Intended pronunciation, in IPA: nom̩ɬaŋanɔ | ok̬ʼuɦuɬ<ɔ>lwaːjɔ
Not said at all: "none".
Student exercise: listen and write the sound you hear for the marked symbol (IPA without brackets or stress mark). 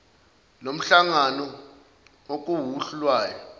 u